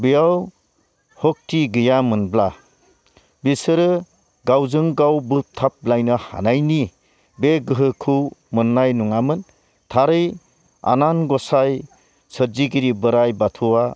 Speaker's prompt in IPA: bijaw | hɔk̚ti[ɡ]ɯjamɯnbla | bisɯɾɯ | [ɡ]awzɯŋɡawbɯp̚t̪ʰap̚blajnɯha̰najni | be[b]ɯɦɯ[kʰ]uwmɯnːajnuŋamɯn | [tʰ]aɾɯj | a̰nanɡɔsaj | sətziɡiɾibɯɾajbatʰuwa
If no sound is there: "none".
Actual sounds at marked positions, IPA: ɡ, ɡ, ɡ, kʰ, tʰ

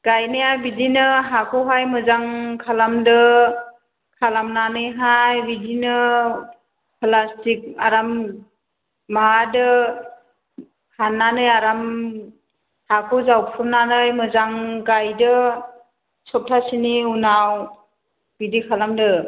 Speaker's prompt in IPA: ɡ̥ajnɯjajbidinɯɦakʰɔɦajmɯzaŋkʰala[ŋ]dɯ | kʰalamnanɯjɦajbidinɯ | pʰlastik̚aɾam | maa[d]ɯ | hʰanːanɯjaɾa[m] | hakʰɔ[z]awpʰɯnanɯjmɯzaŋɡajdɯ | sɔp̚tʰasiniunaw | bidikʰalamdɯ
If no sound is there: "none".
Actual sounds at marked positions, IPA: m, d, m, z

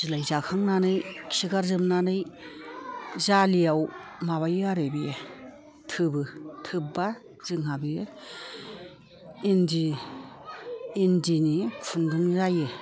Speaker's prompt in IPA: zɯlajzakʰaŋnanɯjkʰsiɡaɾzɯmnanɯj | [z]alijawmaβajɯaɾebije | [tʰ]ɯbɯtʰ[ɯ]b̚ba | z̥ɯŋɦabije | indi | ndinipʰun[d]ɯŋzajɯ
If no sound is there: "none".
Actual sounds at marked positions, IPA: z, tʰ, ɯ, d

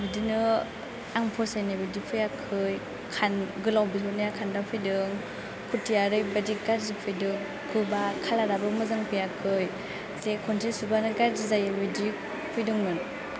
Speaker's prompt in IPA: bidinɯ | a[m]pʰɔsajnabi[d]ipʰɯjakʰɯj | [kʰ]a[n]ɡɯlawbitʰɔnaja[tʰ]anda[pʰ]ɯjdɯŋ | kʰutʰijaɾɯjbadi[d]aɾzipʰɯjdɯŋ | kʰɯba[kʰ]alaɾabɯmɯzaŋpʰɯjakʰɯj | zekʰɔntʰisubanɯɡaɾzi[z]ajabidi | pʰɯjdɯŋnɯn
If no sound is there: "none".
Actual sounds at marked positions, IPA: ŋ, d, kʰ, n, kʰ, pʰ, ɡ, kʰ, z

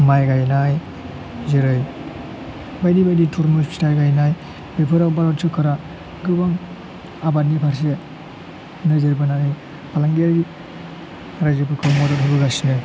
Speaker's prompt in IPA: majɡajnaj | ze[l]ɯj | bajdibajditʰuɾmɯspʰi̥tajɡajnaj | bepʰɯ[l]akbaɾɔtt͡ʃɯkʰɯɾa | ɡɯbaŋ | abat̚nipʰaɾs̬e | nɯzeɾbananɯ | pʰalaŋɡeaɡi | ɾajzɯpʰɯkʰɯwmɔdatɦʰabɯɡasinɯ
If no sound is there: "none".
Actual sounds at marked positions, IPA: ɾ, ɾ

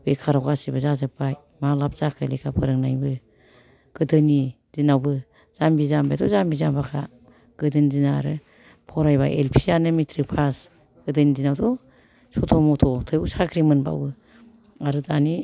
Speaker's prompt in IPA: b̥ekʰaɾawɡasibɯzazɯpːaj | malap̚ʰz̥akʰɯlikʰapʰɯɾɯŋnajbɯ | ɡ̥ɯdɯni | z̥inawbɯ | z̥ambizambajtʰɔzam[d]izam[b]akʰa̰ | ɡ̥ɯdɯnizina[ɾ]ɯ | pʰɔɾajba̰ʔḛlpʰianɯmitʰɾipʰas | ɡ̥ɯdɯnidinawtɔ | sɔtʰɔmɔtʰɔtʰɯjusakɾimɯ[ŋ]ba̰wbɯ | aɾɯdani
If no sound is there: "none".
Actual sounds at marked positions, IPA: b, b, ɾ, n

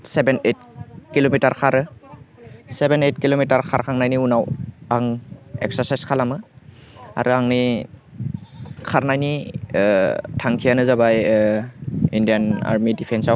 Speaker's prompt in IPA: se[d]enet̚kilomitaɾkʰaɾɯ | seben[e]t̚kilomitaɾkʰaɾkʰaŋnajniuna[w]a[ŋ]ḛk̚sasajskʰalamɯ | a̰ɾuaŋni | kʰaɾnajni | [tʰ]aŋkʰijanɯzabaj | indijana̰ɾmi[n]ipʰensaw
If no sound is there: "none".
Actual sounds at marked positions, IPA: b, e, w, ŋ, tʰ, d

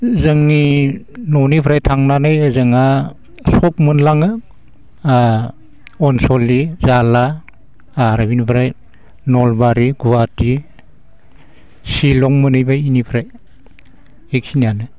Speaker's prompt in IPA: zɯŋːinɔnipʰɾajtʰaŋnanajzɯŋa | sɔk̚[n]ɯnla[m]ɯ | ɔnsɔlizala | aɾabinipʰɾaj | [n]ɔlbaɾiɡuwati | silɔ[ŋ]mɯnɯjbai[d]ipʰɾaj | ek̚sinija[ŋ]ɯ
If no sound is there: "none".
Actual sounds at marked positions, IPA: m, ŋ, n, ŋ, n, n

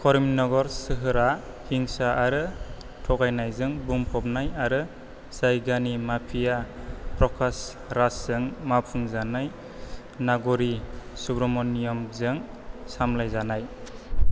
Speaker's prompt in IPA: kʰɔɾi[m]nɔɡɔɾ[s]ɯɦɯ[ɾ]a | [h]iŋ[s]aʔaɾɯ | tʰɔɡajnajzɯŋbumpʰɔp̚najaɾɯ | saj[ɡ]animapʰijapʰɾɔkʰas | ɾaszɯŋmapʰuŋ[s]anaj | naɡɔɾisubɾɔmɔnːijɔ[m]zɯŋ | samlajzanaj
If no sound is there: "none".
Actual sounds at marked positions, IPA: m, s, ɾ, h, s, ɡ, z, m

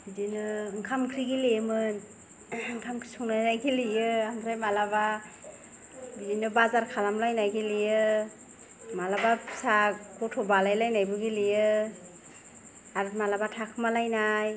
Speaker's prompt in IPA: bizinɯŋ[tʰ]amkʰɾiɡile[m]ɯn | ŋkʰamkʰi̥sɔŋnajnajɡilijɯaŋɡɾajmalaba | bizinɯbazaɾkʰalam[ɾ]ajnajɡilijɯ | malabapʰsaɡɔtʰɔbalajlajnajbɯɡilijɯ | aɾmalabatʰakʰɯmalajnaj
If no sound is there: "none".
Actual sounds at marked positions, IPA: kʰ, m, l

